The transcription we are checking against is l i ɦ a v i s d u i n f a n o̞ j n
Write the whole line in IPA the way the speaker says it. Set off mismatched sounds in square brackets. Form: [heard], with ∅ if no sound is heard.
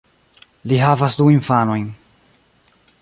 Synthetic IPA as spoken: l i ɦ a v [a] s d u i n f a n o̞ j n